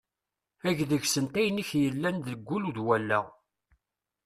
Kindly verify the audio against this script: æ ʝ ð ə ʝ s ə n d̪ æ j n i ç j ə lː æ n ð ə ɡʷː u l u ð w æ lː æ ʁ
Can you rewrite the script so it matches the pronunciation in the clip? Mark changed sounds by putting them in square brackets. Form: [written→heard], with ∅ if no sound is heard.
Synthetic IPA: æ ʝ ð ə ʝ s ə n [d̪→t̪] æ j n i ç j ə lː æ n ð ə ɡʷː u l u ð w æ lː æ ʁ